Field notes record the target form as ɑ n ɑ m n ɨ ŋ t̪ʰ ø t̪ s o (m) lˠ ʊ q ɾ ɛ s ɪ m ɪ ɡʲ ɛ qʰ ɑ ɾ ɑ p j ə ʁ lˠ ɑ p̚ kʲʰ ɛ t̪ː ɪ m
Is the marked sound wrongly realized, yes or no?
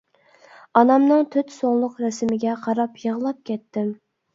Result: yes